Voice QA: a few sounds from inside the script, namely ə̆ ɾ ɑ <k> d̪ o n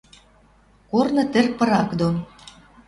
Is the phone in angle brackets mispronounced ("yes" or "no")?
no